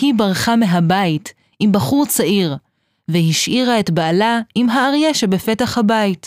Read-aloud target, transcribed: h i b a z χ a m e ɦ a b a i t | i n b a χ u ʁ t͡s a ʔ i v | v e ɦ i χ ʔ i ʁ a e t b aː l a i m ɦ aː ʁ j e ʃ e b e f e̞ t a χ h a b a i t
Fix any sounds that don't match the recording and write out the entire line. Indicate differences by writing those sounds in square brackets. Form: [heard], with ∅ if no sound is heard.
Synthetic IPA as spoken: h i b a [ʁ] χ a m e ɦ a b a i t | i [m] b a χ u ʁ t͡s a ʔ i [ʁ] | v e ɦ i [ʃ] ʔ i ʁ a e t b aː l a i m ɦ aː ʁ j e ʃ e b e f e̞ t a χ h a b a i t